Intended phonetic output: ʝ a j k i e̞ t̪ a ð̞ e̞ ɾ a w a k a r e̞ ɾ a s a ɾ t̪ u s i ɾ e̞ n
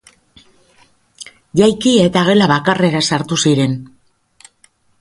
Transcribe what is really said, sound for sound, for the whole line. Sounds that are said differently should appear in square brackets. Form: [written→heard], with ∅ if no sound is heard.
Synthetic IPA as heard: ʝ a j k i e̞ t̪ a [ð̞→ɣ̞] e̞ [ɾ→l] a [w→β] a k a r e̞ ɾ a s a ɾ t̪ u s i ɾ e̞ n